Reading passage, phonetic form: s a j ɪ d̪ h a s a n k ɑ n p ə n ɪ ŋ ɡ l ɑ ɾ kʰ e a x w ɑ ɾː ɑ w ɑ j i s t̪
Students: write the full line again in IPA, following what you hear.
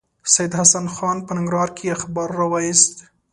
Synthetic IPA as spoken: s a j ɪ d̪ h a s a n x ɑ n p ə n ɪ ŋ ɡ ɾ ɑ ɾ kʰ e a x b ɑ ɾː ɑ w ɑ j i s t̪